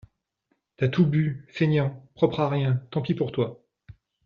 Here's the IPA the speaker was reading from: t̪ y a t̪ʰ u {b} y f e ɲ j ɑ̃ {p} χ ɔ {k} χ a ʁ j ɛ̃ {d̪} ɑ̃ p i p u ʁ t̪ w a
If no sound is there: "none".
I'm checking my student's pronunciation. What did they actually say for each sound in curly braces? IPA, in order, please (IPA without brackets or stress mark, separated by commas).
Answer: b, p, p, t̪